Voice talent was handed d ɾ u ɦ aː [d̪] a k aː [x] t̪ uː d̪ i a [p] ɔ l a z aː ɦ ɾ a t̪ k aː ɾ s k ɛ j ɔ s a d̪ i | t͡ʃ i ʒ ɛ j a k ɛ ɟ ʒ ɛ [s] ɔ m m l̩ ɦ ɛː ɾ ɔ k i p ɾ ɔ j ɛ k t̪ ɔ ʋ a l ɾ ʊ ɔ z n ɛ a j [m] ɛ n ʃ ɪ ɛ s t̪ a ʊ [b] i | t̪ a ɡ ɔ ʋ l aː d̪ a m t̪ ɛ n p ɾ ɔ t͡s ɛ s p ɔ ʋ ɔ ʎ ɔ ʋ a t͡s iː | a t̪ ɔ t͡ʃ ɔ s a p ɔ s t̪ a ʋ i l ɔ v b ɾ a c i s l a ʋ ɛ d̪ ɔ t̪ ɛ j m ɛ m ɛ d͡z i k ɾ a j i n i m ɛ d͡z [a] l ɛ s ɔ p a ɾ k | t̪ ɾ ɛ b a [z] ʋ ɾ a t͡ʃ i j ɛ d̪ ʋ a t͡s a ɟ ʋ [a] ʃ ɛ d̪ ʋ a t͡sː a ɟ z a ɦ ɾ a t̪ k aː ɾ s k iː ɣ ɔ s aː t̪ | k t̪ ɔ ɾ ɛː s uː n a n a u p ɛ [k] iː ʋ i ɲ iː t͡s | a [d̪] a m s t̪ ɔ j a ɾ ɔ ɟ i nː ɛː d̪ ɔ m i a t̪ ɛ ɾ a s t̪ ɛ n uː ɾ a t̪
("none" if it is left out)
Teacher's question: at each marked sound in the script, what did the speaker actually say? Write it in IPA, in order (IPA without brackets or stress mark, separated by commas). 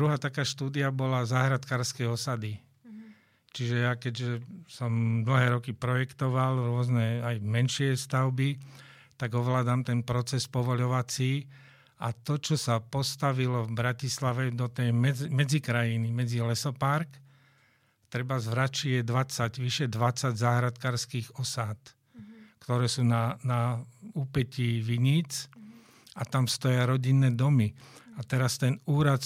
t̪, ʃ, b, s, m, b, i, z, i, c, t̪